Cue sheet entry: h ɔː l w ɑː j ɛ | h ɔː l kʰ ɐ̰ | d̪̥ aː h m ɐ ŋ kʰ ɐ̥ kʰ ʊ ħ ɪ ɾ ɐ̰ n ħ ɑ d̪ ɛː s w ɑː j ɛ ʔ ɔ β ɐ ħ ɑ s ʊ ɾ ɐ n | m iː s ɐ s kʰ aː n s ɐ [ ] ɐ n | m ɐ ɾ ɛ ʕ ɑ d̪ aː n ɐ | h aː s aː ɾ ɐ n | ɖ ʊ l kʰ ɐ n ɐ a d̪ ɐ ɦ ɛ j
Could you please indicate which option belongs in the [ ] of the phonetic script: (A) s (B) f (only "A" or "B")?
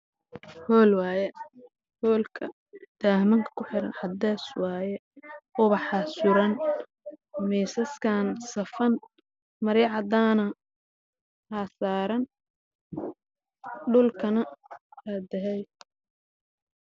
B